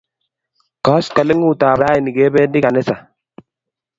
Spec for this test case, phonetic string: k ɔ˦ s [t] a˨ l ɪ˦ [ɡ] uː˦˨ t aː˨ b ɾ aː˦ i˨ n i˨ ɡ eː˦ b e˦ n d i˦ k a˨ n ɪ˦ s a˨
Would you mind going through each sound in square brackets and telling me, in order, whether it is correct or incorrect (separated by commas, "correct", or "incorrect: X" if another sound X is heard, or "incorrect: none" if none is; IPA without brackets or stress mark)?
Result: incorrect: k, incorrect: ŋ